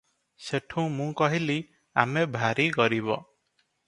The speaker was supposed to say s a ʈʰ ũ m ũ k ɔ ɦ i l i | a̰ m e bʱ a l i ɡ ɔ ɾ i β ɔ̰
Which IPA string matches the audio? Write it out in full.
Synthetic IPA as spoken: s e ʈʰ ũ m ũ k ɔ ɦ i l i | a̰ m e bʱ a ɾ i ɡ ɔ ɾ i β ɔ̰